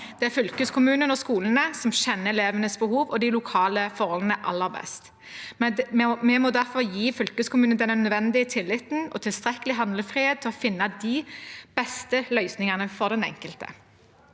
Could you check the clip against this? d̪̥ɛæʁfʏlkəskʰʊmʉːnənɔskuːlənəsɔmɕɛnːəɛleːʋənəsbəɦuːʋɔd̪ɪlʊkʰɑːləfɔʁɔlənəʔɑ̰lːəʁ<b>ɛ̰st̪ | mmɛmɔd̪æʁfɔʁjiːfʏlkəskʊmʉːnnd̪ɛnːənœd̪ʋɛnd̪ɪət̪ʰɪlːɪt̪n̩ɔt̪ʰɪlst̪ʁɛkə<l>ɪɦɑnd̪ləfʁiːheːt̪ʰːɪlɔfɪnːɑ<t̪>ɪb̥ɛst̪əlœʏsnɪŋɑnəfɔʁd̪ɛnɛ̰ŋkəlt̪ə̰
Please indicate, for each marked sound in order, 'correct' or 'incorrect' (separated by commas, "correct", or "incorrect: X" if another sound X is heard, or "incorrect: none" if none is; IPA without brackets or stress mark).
correct, correct, incorrect: d̪